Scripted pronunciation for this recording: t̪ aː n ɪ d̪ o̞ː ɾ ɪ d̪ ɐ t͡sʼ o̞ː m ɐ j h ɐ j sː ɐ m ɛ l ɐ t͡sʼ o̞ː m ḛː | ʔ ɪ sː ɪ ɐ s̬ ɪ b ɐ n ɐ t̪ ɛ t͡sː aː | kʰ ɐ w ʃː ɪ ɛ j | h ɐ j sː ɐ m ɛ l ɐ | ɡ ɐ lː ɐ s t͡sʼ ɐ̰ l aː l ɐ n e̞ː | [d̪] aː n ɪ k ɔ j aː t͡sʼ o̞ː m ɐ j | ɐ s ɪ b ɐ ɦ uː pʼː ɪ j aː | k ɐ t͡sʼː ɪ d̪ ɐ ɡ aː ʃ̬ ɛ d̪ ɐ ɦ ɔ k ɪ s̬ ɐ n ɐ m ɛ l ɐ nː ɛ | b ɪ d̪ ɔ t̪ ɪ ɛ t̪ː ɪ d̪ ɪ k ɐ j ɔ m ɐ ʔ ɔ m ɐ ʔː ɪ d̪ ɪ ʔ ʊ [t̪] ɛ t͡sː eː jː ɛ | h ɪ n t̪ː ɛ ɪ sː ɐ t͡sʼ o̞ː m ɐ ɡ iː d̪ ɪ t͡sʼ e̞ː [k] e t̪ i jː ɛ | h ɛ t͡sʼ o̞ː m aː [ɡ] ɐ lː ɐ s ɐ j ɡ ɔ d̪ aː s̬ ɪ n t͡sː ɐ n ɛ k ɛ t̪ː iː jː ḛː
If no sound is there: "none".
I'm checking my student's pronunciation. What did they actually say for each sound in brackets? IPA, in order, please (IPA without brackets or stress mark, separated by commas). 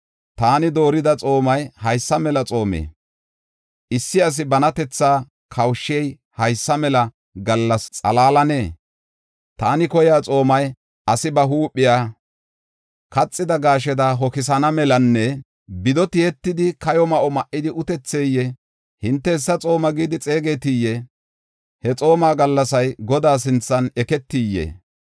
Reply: t̪, t̪, ɡ, ɡ